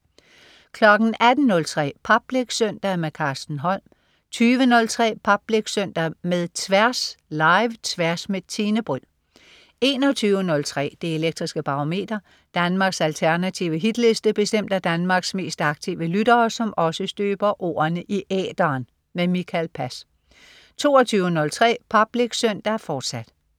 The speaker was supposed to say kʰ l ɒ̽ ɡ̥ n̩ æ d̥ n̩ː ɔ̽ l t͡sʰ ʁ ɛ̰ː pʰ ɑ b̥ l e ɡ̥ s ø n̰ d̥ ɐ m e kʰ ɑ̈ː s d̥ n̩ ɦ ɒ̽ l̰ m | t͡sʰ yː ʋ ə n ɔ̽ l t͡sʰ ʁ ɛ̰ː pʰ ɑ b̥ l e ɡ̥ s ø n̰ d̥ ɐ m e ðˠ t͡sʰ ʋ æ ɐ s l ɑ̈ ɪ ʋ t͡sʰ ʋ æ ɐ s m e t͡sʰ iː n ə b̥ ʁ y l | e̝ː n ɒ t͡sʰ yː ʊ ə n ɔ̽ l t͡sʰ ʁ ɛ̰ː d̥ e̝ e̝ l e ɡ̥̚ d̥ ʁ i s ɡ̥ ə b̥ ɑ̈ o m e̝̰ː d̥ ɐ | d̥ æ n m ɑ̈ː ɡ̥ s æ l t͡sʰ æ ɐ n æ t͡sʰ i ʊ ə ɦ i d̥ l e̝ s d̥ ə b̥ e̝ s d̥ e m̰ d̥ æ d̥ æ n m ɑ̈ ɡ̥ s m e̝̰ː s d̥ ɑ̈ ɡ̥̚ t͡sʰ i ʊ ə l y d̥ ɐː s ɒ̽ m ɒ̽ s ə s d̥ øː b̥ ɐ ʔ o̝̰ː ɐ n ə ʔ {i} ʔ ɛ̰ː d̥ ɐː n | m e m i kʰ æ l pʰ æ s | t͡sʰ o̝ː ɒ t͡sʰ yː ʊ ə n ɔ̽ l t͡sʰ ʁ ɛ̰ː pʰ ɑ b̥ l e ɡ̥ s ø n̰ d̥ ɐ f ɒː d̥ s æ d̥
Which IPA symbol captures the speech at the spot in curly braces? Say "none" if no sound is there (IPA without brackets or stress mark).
i